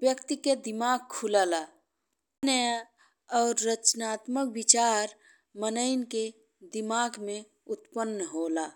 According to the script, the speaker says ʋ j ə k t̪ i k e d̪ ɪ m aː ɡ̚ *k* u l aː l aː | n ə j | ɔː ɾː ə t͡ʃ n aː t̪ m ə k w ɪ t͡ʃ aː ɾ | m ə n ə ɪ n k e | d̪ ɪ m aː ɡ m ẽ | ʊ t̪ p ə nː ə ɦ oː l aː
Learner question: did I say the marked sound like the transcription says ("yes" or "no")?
no